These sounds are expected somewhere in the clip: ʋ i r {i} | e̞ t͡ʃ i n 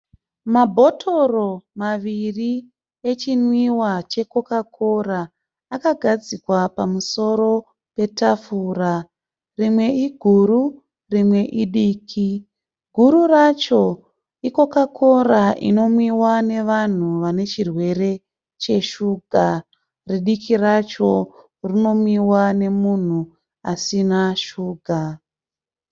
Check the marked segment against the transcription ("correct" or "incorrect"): correct